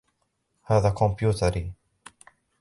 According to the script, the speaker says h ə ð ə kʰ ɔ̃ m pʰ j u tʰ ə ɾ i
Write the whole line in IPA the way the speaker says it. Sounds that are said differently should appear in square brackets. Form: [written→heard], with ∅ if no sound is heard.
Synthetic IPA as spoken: h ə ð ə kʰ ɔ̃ m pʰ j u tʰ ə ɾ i